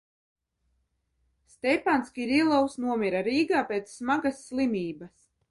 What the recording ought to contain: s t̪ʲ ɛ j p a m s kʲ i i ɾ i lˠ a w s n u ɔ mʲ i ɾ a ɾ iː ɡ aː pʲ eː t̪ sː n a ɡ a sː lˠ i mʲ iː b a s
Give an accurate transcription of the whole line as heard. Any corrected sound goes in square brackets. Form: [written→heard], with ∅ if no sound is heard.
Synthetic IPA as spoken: s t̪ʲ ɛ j p a [m→n] s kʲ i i ɾ i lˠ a w s n u ɔ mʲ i ɾ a ɾ iː ɡ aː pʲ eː t̪ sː [n→m] a ɡ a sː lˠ i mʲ iː b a s